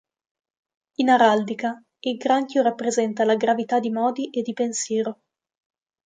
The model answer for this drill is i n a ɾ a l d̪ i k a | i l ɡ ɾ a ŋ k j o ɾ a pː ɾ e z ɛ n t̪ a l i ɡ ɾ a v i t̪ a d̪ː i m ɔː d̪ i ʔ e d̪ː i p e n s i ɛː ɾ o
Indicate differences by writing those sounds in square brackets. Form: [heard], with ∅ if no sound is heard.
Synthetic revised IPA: i n a ɾ a l d̪ i k a | i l ɡ ɾ a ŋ k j o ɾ a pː ɾ e z ɛ n t̪ a l [a] ɡ ɾ a v i t̪ a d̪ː i m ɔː d̪ i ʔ e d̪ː i p e n s [j] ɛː ɾ o